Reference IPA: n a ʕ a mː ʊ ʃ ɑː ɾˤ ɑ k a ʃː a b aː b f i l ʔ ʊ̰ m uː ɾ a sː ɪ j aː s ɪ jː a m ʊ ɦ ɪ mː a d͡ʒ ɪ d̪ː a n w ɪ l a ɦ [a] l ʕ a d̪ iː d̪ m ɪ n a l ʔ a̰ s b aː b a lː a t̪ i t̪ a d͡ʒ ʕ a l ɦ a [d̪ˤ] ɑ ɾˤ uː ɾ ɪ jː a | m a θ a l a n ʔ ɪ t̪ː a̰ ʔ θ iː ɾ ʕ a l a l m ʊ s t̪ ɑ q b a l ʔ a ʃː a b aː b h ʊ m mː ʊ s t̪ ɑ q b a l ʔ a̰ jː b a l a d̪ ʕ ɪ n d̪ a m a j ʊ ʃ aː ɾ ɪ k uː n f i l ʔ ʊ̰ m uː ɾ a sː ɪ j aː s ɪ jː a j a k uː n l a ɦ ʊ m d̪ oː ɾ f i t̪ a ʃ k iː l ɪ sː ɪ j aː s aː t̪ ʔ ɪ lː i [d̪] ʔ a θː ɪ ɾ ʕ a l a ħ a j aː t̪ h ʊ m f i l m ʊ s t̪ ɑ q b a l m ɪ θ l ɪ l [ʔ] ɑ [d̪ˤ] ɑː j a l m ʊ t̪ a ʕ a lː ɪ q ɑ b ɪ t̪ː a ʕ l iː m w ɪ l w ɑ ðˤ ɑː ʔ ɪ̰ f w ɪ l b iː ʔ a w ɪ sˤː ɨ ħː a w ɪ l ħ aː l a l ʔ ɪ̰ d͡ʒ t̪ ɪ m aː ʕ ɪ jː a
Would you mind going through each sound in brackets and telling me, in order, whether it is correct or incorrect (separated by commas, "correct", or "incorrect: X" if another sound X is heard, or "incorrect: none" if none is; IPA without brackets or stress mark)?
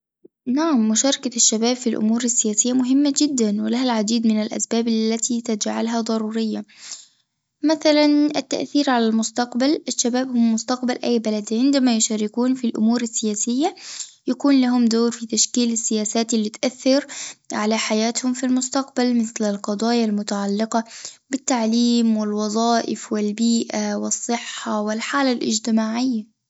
correct, correct, incorrect: t̪, incorrect: q, correct